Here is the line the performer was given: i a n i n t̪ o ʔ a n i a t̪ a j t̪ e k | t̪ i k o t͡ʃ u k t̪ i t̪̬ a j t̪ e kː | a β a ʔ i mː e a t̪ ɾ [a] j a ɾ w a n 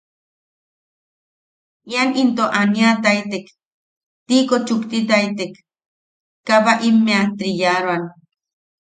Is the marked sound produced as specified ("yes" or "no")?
no